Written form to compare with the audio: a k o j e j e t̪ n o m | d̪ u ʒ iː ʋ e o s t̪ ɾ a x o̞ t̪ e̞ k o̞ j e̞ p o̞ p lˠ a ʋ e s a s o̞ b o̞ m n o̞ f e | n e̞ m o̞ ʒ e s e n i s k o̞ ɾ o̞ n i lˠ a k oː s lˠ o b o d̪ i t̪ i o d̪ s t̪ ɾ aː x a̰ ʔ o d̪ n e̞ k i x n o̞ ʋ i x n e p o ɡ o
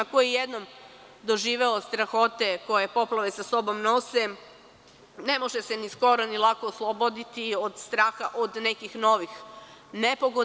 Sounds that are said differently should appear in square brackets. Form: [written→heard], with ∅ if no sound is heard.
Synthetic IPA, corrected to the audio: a k o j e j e [t̪→d̪] n o m | d̪ [u→o] ʒ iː ʋ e o s t̪ ɾ a x o̞ t̪ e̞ k o̞ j e̞ p o̞ p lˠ a ʋ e s a s o̞ b o̞ m n o̞ [f→s] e | n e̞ m o̞ ʒ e s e n i s k o̞ ɾ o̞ n i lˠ a k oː s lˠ o b o d̪ i t̪ i o d̪ s t̪ ɾ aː x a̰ ʔ o d̪ n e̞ k i x n o̞ ʋ i x n e p o ɡ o